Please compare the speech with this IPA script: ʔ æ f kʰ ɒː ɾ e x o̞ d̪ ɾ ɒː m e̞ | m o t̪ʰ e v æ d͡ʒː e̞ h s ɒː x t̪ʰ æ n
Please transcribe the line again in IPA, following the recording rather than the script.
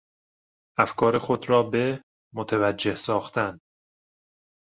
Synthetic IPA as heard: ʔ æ f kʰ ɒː ɾ e x o̞ d̪ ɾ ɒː b e̞ | m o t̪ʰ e v æ d͡ʒː e̞ h s ɒː x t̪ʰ æ n